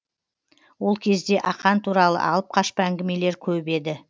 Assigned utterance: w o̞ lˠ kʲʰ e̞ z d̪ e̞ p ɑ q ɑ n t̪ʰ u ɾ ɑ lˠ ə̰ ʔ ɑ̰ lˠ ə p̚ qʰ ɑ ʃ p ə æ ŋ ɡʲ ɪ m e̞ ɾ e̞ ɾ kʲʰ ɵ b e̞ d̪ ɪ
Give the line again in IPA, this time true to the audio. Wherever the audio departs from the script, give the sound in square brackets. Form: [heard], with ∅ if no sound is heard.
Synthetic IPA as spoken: w o̞ lˠ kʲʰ e̞ z d̪ e̞ [ʔ] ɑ q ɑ n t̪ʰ u ɾ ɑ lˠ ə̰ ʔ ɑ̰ lˠ ə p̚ qʰ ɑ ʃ p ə æ ŋ ɡʲ ɪ m e̞ [l] e̞ ɾ kʲʰ ɵ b e̞ d̪ ɪ